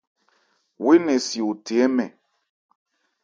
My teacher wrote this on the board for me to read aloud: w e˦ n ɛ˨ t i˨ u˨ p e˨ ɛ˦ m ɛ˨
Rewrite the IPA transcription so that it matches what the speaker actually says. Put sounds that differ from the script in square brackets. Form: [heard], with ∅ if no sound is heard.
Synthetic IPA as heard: w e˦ n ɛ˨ [s] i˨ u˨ [t] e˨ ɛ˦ m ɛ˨